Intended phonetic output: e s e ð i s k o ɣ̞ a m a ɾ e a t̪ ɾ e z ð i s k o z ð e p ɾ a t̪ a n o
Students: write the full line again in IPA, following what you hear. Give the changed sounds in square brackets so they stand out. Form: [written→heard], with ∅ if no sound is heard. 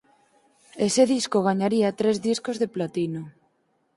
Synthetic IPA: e s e ð i s k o ɣ̞ a [m→ɲ] a ɾ [e→i] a t̪ ɾ e z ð i s k o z ð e p [ɾ→l] a t̪ [a→i] n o